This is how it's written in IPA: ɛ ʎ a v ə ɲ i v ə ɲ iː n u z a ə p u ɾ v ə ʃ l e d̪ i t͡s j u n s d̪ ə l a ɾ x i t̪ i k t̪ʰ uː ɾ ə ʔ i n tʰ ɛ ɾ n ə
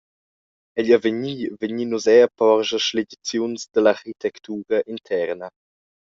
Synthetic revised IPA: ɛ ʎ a v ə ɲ i v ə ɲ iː n u z ɛ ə p ɔ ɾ ʒ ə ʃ l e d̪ i t͡s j u n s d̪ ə l a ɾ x i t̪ ɛ k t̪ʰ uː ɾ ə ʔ i n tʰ ɛ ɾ n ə